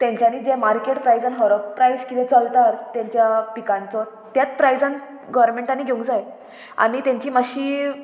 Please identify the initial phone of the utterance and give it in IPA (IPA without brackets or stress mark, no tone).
t̪